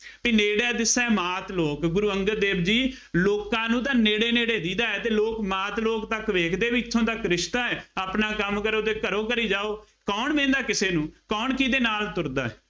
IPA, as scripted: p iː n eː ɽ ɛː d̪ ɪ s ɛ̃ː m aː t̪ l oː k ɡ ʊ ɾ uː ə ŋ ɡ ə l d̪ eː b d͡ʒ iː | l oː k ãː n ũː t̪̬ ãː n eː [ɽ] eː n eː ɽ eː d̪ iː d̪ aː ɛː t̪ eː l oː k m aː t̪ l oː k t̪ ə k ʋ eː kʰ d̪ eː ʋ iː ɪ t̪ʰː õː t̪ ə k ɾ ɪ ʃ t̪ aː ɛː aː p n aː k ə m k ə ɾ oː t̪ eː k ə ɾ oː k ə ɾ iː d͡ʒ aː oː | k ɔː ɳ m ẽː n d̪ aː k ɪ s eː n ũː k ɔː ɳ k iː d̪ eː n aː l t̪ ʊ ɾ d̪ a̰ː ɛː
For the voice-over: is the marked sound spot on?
yes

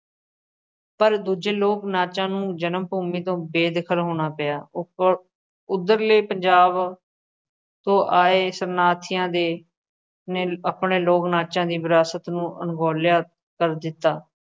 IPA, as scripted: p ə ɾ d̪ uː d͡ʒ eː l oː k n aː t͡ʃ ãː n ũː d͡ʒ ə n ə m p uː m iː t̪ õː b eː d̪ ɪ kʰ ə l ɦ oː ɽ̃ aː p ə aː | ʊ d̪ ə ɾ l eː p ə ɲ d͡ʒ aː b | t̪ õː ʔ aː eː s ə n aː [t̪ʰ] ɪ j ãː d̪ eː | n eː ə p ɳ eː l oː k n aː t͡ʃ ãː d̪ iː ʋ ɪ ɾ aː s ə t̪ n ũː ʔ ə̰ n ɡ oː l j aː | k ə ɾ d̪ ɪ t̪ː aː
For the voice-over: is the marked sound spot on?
yes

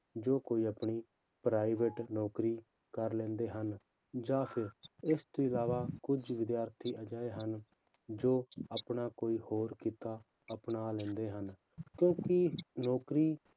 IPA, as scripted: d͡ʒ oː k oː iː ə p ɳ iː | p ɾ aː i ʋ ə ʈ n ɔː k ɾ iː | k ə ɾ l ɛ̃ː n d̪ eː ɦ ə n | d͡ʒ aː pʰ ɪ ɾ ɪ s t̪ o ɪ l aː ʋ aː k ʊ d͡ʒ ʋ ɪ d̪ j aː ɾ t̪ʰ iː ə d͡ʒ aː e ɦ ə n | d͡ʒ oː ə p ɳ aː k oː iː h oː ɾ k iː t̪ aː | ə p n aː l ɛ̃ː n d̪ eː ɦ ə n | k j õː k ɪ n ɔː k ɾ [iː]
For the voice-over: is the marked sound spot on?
yes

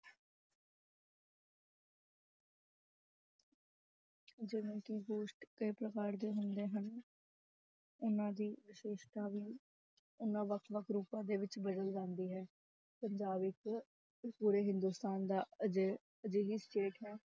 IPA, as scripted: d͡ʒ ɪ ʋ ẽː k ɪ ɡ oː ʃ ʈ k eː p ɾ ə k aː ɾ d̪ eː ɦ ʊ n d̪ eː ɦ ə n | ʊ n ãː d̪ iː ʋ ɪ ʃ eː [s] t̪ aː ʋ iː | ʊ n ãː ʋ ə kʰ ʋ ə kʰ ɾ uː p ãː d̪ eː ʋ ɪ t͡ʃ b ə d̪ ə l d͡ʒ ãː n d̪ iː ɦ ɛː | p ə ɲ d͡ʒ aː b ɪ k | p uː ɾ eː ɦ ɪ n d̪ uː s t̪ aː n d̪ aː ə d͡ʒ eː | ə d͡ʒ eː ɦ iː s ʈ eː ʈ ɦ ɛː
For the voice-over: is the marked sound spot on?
no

